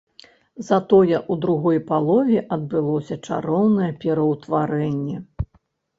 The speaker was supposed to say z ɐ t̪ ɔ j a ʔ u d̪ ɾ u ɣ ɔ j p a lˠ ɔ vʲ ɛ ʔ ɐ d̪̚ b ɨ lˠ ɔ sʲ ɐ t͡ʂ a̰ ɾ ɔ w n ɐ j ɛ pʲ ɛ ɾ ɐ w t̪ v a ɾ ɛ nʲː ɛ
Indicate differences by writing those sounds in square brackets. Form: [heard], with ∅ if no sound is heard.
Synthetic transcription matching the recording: z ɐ t̪ ɔ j [ɛ] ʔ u d̪ ɾ u ɣ ɔ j p a lˠ ɔ vʲ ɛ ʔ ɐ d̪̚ b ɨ lˠ ɔ sʲ ɐ t͡ʂ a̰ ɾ ɔ w n ɐ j ɛ pʲ ɛ ɾ ɐ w t̪ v a ɾ ɛ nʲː ɛ